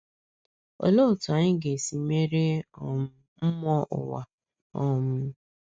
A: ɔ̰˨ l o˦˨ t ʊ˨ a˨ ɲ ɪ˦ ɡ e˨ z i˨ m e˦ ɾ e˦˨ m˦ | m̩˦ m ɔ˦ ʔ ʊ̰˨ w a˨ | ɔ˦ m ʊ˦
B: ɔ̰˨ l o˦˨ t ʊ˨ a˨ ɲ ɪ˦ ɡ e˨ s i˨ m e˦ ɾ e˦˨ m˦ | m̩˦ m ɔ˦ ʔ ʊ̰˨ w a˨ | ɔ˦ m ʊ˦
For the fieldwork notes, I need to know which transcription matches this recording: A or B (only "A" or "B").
B